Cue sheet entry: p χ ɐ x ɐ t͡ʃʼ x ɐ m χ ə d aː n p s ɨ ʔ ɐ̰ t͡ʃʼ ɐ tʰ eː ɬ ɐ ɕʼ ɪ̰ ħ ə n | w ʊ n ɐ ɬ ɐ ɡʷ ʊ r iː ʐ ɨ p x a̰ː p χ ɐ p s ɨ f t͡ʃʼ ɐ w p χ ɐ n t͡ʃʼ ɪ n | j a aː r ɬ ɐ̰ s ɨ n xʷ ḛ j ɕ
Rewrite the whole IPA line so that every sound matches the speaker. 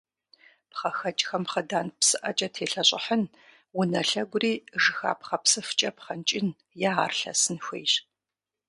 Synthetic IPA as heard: p χ ɐ x ɐ t͡ʃʼ x ɐ m χ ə d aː n p s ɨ ʔ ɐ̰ t͡ʃʼ ɐ tʰ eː ɬ ɐ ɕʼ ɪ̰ ħ ə n | w ʊ n ɐ ɬ ɐ ɡʷ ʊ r iː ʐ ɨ x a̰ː p χ ɐ p s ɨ f t͡ʃʼ ɐ p χ ɐ n t͡ʃʼ ɪ n | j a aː r ɬ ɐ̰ s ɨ n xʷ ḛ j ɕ